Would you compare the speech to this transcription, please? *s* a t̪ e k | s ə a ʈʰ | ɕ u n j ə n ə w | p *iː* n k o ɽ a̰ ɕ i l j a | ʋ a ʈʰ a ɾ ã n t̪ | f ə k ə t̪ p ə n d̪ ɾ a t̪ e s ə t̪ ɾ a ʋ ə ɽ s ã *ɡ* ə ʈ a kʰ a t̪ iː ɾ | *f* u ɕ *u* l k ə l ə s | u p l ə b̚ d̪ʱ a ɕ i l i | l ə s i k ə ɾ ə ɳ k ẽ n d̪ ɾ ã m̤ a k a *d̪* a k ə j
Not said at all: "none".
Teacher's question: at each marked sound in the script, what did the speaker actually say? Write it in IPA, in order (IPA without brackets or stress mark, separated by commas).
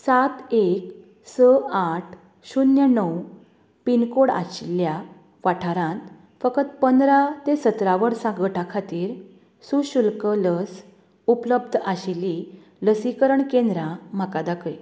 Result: s, i, ɡ, s, u, d̪